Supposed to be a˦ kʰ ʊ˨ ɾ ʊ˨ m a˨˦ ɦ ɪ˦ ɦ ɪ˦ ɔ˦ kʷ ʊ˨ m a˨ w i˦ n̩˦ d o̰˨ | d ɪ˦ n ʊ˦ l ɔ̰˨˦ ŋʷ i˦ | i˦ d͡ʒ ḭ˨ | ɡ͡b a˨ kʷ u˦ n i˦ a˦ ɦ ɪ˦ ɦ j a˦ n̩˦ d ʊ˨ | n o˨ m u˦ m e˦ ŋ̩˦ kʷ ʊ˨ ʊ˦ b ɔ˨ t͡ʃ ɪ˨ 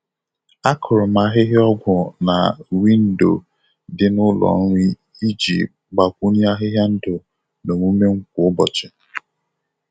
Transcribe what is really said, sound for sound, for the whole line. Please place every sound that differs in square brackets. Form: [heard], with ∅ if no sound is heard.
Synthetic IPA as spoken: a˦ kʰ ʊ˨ ɾ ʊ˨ m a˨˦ ɦ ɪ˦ ɦ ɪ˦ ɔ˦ [ɡʷ] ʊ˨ [n] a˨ w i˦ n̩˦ d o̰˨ | d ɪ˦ n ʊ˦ l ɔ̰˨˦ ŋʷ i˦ | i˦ d͡ʒ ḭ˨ | ɡ͡b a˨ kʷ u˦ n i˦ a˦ ɦ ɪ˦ ɦ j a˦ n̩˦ d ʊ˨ | n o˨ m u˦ m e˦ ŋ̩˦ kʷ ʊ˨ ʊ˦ b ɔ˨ t͡ʃ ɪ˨